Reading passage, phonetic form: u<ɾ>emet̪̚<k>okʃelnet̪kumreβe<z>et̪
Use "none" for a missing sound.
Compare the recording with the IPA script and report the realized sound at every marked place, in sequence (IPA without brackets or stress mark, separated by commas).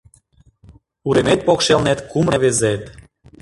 ɾ, p, z